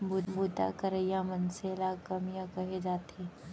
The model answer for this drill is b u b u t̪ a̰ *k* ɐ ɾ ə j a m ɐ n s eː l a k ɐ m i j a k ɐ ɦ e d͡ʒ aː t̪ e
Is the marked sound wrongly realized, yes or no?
no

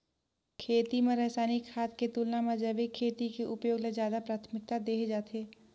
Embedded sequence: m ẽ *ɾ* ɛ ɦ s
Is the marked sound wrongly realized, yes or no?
no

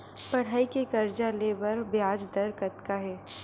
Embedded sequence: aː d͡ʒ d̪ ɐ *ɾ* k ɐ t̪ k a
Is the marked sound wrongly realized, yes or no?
no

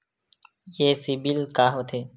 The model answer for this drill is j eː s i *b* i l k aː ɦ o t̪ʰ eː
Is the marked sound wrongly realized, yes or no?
no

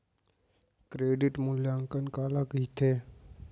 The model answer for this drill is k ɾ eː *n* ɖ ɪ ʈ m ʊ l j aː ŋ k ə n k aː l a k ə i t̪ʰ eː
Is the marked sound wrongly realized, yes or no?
yes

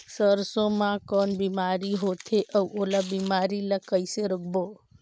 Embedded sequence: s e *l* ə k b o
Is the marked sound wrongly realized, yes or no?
yes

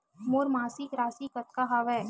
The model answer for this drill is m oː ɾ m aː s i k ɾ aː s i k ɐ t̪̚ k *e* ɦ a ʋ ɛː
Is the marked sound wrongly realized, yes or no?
yes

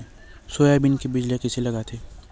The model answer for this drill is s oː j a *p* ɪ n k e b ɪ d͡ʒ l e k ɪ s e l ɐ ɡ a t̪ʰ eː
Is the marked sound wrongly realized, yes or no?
yes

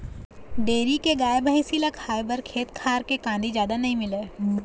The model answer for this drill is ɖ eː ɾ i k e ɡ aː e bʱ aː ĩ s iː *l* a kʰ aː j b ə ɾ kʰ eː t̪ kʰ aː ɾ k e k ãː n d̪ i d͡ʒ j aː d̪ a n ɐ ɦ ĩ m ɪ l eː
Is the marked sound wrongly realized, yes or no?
no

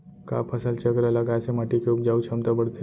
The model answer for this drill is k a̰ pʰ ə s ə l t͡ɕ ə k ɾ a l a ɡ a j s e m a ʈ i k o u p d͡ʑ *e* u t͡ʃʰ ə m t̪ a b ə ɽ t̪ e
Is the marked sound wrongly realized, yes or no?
yes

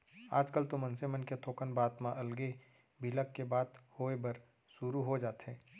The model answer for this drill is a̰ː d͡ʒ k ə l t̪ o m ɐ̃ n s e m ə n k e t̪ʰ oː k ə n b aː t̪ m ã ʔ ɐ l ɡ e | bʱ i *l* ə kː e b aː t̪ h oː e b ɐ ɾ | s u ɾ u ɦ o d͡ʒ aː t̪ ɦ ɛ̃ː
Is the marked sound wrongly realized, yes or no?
no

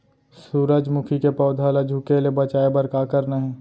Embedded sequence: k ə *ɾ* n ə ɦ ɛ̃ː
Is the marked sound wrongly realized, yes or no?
no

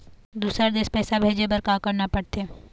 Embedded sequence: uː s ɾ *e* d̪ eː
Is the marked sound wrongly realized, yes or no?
yes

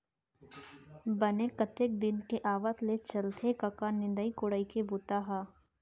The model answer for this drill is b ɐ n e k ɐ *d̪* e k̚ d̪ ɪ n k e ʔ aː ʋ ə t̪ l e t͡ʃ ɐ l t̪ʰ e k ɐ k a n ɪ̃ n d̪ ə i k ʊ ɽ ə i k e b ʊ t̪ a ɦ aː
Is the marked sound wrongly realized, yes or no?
yes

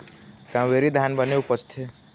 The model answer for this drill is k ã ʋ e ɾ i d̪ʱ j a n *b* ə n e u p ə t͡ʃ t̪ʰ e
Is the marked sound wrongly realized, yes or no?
no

